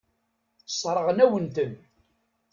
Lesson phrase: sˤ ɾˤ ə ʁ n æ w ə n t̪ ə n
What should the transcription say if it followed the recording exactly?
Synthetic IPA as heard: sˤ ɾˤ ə ʁ n æ w ə n t̪ ə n